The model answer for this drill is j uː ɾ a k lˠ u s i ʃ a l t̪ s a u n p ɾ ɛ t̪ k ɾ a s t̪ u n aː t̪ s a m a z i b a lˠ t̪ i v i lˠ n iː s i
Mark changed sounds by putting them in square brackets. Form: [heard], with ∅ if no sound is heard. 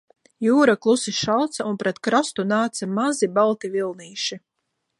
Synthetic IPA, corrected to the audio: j uː ɾ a k lˠ u s i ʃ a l t̪ s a u n p ɾ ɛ t̪ k ɾ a s t̪ u n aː t̪ s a m a z i b a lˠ t̪ i v i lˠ n iː [ʃ] i